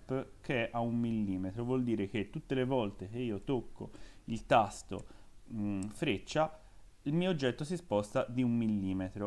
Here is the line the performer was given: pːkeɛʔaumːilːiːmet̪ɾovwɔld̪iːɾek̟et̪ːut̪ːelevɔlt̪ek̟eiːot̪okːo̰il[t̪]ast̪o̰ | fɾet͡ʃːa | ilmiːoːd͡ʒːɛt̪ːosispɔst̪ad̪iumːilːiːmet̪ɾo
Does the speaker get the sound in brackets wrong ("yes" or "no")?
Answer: no